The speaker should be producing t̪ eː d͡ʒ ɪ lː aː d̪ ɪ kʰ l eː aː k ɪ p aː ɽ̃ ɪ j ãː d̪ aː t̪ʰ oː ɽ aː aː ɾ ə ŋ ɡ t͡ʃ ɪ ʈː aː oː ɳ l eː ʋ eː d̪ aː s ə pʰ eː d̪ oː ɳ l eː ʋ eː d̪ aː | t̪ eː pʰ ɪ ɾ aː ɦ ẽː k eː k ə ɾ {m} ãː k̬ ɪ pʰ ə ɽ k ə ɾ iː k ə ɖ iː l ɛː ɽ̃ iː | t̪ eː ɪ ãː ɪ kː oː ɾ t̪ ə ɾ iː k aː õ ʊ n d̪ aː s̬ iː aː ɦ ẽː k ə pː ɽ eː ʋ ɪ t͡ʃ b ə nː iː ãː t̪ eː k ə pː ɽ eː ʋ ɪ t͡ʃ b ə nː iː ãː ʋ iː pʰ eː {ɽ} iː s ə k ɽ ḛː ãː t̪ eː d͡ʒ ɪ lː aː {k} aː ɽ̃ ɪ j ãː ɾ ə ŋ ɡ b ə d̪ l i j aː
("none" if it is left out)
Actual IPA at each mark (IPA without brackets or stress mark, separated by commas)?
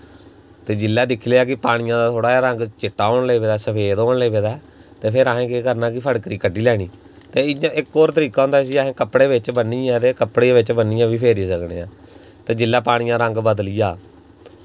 n, ɾ, p